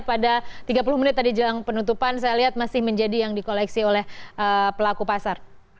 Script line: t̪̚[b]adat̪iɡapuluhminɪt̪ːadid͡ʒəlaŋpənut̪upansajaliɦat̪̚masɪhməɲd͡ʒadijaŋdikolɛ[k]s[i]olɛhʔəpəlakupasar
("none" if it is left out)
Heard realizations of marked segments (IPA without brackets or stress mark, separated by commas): p, k, i